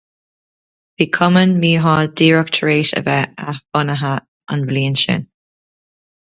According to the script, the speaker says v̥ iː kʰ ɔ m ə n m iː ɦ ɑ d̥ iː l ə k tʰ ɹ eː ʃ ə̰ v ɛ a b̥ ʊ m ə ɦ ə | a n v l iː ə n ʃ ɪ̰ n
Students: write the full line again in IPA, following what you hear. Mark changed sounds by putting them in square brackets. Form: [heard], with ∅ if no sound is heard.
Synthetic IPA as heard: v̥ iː kʰ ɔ m ə n m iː ɦ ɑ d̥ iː [ɹ] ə k tʰ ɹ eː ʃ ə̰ v ɛ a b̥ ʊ [n] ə ɦ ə | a n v l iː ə n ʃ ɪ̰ n